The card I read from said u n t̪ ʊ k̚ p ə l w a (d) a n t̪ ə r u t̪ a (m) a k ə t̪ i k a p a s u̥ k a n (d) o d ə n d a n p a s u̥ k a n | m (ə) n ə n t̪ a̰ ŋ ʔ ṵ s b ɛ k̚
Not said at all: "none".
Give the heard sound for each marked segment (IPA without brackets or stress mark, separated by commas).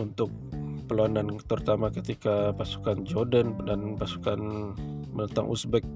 n, m, d͡ʒ, ə